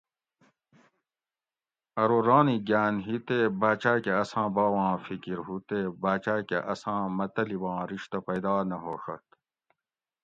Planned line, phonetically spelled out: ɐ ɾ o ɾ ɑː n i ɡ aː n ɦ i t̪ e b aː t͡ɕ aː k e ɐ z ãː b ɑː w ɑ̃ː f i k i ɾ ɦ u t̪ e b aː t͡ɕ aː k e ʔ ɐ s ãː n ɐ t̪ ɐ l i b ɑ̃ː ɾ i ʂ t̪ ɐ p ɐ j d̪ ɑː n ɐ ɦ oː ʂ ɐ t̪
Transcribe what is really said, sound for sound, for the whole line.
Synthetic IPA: ɐ ɾ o ɾ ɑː n i ɡ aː n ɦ i t̪ e b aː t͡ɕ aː k e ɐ s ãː b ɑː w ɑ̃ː f i k i ɾ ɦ u t̪ e b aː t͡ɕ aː k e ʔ ɐ s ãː m ɐ t̪ ɐ l i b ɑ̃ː ɾ i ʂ t̪ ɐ p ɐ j d̪ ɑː n ɐ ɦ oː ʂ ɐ t̪